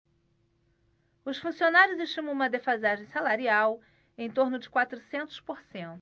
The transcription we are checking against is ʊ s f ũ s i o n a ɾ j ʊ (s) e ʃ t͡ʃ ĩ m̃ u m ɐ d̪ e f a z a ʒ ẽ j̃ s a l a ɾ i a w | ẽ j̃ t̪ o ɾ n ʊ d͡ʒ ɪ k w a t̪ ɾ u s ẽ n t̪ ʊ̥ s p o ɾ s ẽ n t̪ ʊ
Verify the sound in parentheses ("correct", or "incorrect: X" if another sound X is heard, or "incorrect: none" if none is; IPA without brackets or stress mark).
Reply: incorrect: z